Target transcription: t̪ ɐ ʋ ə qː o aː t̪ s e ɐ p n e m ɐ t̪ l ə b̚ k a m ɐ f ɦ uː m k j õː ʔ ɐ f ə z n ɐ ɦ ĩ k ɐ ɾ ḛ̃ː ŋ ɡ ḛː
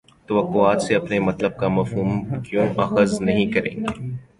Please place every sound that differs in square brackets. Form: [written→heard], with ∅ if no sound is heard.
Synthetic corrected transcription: t̪ ɐ ʋ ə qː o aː t̪ s e ɐ p n e m ɐ t̪ l ə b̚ k a m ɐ f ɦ uː m k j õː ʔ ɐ [f→x] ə z n ɐ ɦ ĩ k ɐ ɾ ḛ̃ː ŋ ɡ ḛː